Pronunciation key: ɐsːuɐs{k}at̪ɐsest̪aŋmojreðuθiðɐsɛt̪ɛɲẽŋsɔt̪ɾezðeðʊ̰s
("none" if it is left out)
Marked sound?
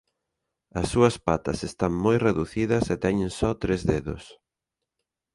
p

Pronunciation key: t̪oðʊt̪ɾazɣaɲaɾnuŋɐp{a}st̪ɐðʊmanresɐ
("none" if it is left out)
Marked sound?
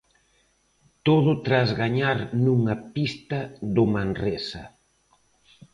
i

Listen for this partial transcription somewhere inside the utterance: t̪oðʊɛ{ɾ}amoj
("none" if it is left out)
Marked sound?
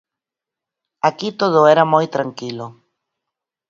ɾ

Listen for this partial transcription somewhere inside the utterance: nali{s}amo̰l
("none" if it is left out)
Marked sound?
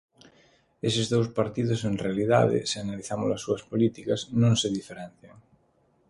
θ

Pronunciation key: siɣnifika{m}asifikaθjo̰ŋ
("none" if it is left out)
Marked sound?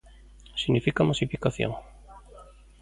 m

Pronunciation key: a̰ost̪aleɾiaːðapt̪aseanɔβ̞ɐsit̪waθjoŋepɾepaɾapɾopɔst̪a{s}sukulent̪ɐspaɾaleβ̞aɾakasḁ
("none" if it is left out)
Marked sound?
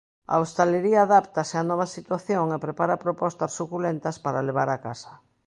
s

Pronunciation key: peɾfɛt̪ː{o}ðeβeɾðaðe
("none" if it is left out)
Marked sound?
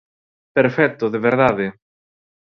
o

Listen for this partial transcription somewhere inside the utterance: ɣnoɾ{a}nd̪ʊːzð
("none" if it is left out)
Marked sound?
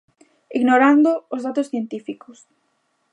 a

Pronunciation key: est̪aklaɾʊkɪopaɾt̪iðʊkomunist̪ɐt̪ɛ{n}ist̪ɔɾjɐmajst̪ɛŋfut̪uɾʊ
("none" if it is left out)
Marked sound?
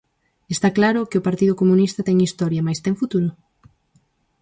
ŋ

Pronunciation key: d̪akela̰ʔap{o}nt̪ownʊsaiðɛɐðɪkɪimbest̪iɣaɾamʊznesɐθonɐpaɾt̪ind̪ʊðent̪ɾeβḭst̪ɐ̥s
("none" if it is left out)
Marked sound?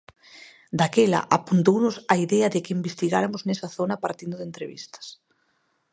u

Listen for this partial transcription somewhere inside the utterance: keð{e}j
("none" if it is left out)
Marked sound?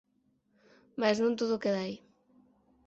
a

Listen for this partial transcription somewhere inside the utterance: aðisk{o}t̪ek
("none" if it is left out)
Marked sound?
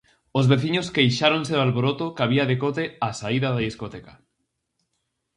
o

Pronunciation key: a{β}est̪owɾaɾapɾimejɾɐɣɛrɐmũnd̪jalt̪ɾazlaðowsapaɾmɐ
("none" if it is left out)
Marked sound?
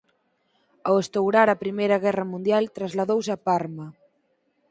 w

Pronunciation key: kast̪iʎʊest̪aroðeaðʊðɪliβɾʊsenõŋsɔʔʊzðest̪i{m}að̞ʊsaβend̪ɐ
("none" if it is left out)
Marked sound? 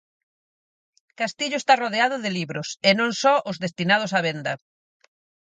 n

